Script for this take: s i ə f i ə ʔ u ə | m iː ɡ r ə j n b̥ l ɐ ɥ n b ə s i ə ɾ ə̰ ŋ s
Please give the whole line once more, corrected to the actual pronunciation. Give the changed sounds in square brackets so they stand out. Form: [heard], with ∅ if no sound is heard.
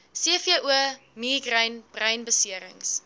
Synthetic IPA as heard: s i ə f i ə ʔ u ə | m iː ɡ r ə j n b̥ [r] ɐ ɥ n b ə s i ə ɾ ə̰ ŋ s

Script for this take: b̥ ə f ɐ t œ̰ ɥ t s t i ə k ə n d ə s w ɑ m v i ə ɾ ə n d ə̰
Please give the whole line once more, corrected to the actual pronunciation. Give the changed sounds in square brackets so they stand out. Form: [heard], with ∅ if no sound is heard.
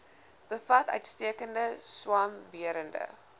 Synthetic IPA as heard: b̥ ə f ɐ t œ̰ ɥ t s t i ə k ə n d ə s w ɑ m v i ə ɾ ə n d ə̰

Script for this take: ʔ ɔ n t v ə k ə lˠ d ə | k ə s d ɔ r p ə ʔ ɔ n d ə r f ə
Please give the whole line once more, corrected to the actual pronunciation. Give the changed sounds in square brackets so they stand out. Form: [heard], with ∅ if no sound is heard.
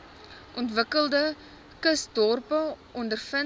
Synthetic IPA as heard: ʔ ɔ n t v ə k ə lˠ d ə | k ə s d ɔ r p ə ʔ ɔ n d ə r f ə

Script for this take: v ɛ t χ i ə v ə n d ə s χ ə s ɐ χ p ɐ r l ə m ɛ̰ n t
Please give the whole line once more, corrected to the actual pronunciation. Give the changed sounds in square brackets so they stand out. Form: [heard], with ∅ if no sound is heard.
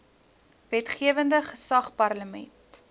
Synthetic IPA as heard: v ɛ t χ i ə v ə n d ə [∅] χ ə s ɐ χ p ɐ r l ə m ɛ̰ n t

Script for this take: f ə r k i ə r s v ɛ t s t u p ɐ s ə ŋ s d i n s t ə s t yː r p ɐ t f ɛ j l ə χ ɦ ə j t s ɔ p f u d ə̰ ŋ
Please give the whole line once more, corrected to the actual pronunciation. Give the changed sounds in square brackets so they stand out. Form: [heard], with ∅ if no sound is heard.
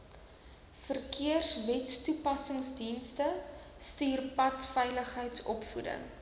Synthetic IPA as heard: f ə r k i ə r s v ɛ t s t u p ɐ s ə ŋ s d i n s t ə s t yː r p ɐ t f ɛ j l ə χ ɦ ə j t s ɔ p f u d ə̰ ŋ

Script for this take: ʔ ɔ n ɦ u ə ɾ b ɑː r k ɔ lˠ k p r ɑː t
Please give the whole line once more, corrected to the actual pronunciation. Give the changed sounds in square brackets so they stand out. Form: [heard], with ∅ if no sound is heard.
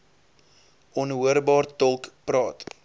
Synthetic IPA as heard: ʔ ɔ n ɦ u ə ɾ b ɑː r [t] ɔ lˠ k p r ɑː t

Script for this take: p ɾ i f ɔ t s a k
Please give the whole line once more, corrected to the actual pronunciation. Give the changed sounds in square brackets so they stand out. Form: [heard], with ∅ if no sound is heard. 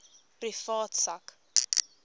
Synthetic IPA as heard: p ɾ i f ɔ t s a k

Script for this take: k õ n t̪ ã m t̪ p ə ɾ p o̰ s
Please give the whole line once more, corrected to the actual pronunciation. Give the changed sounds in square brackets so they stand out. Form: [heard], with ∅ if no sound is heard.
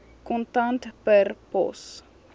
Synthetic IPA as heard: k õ n t̪ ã [n] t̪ p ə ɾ p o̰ s

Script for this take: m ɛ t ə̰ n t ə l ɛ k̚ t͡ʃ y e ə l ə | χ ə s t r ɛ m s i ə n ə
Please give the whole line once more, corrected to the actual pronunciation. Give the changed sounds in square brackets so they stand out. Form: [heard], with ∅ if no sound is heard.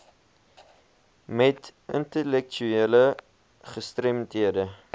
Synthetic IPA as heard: m ɛ t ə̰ n t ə l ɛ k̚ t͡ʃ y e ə l ə | χ ə s t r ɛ m [t] i ə [d] ə

